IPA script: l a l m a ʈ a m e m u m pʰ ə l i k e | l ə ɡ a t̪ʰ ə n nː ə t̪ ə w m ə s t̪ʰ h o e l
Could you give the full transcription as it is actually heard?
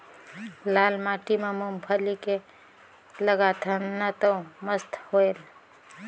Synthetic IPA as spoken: l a l m a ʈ i m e m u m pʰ ə l i k e | l ə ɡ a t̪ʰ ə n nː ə t̪ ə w m ə s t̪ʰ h o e l